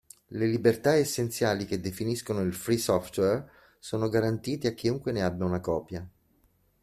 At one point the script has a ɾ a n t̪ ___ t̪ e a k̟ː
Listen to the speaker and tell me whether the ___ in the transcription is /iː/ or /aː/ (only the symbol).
iː